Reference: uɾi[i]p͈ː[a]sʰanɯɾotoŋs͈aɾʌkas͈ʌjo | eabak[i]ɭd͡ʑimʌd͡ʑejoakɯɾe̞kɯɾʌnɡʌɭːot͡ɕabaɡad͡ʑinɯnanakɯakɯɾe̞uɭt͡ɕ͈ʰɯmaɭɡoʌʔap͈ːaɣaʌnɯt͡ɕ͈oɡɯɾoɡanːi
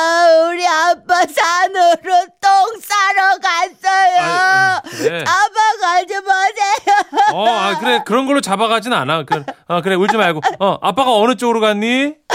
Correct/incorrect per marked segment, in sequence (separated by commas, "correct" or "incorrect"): incorrect, correct, incorrect